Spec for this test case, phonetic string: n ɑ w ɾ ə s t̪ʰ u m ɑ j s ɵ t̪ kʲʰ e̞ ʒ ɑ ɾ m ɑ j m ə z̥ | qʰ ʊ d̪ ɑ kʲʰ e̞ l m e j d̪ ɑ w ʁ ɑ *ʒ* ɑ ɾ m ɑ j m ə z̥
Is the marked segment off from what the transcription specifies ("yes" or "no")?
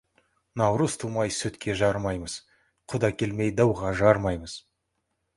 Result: no